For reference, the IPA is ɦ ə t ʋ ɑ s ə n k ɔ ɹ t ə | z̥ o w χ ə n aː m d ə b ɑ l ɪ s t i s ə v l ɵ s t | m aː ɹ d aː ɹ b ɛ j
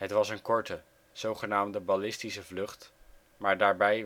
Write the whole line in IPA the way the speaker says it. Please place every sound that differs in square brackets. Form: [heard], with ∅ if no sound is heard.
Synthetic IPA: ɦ ə t ʋ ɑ s ə n k ɔ ɹ t ə | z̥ o w χ ə n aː m d ə b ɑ l ɪ s t i s ə v l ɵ [χ] t | m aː ɹ d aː ɹ b ɛ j

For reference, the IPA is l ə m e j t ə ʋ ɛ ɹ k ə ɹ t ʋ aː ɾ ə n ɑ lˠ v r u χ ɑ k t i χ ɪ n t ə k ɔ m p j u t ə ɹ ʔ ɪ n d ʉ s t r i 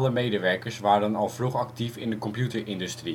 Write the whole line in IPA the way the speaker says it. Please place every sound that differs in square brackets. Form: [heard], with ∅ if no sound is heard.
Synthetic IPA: l ə m e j [d] ə ʋ ɛ ɹ k ə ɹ [s] ʋ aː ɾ ə n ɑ lˠ v r u χ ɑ k t i [f] ɪ n [d] ə k ɔ m p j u t ə ɹ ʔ ɪ n d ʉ s t r i

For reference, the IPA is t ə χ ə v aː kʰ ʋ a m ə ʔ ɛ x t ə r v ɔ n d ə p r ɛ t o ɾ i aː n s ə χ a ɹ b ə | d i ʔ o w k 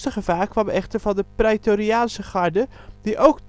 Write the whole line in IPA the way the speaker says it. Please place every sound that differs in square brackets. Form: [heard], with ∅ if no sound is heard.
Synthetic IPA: t ə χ ə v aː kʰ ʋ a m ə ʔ ɛ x t ə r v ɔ n d ə p r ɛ t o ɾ i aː n s ə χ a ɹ [d] ə | d i ʔ o w k

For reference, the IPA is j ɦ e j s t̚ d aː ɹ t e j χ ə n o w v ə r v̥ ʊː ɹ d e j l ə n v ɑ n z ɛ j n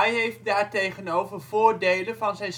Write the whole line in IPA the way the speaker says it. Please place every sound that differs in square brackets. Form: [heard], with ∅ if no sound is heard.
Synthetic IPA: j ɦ e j [f] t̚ d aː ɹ t e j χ ə n o w v ə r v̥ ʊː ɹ d e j l ə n v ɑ n z ɛ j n

